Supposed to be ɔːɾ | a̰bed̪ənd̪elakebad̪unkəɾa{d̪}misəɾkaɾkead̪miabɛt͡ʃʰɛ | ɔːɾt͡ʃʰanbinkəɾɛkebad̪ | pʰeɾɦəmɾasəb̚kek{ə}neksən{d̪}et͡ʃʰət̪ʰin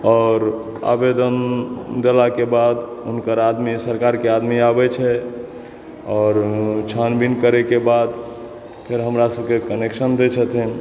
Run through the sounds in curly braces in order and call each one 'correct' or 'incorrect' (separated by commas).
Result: correct, correct, correct